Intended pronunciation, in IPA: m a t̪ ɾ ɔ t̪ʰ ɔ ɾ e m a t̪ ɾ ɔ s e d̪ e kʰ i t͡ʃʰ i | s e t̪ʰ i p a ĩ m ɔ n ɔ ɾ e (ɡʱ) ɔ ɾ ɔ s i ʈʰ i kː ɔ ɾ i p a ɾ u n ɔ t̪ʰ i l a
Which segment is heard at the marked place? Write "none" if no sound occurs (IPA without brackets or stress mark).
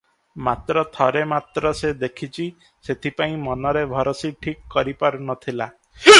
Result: bʱ